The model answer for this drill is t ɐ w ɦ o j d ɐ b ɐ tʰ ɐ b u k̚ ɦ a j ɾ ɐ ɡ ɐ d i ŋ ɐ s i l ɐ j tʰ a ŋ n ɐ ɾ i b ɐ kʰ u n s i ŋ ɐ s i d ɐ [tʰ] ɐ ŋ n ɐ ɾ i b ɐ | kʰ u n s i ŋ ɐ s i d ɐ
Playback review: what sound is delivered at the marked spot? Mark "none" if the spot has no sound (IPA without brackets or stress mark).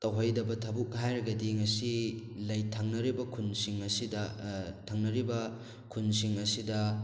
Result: tʰ